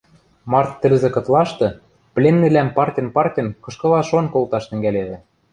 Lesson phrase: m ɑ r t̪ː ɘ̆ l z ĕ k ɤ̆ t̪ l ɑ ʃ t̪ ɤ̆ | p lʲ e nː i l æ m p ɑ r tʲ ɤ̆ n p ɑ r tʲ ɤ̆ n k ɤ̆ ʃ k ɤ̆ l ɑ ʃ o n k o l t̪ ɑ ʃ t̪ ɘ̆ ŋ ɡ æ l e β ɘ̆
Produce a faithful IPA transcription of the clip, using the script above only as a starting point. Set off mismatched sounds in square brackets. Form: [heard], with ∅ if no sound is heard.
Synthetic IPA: m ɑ r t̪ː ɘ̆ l z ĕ k ɤ̆ t̪ l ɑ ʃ t̪ ɤ̆ | p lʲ e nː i l æ m p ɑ r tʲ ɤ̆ n p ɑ r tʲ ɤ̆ n k ɤ̆ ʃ k ɤ̆ l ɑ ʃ o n k o l t̪ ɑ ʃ t̪ ɘ̆ ŋ ɡ æ l e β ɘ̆